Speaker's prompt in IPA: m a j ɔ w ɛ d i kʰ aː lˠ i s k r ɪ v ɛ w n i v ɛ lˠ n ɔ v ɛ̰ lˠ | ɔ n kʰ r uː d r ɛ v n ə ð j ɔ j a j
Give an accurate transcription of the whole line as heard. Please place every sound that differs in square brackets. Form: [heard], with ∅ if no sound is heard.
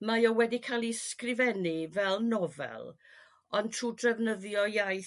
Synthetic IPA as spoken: m a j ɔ w ɛ d i kʰ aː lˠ i s k r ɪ v ɛ [∅] n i v ɛ lˠ n ɔ v ɛ̰ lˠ | ɔ n [tʰ] r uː d r ɛ v n ə ð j ɔ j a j